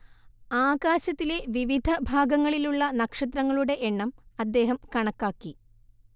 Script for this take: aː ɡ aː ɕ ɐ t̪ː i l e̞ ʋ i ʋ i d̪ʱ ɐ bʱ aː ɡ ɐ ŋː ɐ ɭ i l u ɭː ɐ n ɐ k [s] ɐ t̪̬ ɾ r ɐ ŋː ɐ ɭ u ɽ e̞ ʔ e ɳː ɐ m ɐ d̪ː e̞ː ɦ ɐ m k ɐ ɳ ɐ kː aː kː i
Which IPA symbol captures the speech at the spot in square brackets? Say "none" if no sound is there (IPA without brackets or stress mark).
ʂ